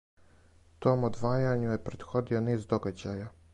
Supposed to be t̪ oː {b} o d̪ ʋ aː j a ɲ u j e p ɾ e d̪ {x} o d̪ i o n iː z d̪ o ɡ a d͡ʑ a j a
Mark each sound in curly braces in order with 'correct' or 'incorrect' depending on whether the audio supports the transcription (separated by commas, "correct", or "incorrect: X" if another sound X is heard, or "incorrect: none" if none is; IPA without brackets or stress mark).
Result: incorrect: m, correct